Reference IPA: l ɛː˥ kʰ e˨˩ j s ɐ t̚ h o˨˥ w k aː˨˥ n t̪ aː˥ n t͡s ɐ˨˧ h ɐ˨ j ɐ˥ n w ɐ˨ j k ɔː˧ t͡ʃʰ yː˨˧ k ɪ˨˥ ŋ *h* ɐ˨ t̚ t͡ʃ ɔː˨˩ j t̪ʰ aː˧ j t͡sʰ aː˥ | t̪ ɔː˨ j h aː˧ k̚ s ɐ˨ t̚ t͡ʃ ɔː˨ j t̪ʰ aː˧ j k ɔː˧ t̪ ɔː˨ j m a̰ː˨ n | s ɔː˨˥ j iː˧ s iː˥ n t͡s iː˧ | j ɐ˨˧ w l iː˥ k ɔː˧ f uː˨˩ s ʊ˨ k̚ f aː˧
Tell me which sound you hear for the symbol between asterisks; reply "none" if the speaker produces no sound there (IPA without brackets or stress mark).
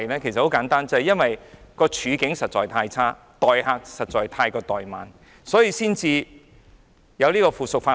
s